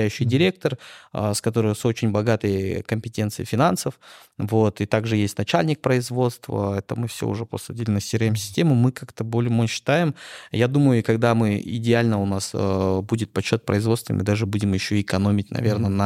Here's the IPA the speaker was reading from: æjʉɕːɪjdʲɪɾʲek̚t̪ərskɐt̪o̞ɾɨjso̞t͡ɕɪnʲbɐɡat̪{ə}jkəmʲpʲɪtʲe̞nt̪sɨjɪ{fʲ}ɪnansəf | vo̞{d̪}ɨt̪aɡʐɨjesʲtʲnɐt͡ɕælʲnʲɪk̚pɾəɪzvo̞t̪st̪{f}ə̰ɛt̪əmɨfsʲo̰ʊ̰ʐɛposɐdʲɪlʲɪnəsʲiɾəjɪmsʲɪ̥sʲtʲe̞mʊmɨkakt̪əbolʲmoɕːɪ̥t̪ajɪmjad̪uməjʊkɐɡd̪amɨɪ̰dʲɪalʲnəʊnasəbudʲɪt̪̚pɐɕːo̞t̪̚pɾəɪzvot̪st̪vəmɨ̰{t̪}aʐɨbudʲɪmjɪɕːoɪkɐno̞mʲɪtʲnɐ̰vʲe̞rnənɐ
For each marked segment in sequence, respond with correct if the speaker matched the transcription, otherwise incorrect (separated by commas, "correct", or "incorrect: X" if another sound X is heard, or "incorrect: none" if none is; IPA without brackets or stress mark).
correct, correct, incorrect: t̪, incorrect: v, incorrect: d̪